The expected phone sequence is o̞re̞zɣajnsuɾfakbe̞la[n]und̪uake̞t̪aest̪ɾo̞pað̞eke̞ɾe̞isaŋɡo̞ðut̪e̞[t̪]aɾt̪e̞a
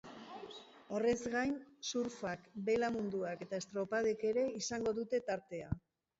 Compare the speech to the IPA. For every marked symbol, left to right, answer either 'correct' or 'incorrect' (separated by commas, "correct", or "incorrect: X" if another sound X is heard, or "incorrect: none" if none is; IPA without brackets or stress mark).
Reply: incorrect: m, correct